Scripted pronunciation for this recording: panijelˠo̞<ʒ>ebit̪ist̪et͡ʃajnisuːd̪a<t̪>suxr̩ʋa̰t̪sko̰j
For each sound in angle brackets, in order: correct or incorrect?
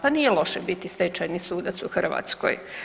incorrect: ʃ, correct

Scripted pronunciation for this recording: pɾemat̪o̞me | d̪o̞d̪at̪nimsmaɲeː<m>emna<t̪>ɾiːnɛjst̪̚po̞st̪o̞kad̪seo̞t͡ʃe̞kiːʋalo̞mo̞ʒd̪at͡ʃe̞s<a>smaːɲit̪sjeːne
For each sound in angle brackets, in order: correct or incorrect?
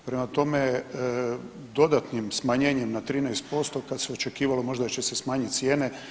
incorrect: ɲ, correct, incorrect: e

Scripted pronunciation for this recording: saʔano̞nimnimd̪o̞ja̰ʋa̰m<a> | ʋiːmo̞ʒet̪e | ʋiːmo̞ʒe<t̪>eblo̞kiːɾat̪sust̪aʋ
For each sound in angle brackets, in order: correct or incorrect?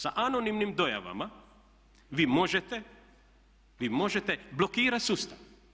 correct, correct

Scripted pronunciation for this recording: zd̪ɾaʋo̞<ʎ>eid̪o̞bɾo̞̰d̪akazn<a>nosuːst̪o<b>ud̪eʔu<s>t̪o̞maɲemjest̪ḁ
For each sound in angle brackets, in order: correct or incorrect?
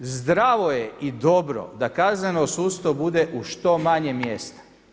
incorrect: j, incorrect: e, correct, incorrect: ʃ

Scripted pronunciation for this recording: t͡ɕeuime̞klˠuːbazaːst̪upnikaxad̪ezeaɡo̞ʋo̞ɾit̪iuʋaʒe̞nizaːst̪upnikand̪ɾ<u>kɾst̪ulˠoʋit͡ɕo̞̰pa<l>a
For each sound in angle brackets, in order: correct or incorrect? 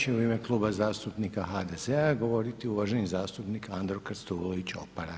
incorrect: o, incorrect: ɾ

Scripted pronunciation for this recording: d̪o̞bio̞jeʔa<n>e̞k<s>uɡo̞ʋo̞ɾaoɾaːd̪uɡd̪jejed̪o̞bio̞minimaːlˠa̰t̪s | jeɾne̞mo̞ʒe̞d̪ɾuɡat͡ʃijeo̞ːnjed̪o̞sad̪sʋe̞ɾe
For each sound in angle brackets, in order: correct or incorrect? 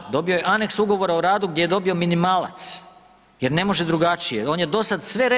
correct, correct

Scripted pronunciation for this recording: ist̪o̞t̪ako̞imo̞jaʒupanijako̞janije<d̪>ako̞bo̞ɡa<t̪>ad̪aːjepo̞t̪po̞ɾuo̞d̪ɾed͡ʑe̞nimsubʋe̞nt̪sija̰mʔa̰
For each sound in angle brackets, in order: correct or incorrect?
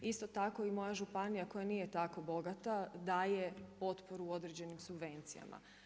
incorrect: t̪, correct

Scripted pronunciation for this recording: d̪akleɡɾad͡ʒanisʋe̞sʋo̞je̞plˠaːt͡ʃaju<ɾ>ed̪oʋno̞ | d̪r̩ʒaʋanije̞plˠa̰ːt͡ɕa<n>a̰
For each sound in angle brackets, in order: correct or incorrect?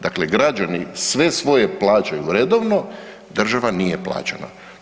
correct, correct

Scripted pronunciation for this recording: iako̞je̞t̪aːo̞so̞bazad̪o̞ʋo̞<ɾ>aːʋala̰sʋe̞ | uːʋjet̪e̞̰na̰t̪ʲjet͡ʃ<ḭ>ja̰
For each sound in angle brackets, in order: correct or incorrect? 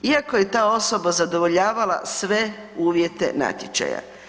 incorrect: ʎ, incorrect: a̰

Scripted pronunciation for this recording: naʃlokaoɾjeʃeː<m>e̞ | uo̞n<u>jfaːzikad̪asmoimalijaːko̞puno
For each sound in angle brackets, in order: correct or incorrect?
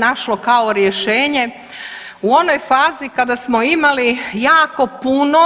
incorrect: ɲ, incorrect: o

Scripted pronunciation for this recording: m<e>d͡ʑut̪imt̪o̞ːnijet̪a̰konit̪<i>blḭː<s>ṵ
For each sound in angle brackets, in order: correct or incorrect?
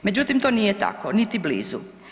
correct, correct, incorrect: z

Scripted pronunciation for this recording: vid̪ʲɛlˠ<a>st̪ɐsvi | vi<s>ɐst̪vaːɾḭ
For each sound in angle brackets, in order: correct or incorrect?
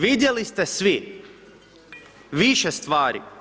incorrect: i, incorrect: ʃ

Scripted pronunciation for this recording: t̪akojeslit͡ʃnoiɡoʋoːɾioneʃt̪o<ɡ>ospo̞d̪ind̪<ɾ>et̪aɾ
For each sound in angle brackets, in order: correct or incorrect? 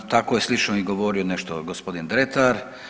correct, correct

